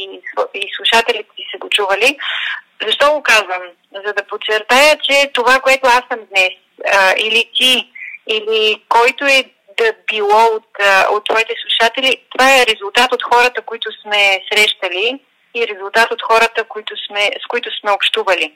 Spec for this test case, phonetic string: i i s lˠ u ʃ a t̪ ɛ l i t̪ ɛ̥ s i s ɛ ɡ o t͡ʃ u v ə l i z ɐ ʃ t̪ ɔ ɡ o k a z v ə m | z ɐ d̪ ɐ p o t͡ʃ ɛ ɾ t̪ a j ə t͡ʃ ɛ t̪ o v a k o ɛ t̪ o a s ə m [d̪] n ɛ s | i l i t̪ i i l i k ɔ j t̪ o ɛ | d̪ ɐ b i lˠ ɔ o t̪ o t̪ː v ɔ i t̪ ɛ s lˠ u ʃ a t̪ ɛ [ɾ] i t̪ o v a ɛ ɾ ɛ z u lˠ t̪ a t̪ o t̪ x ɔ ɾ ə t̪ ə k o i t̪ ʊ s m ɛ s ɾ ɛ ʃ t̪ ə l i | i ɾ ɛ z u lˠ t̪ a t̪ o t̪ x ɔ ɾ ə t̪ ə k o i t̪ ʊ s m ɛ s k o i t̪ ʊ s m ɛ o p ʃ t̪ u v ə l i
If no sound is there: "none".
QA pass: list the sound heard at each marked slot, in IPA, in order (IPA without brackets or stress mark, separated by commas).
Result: d̪, l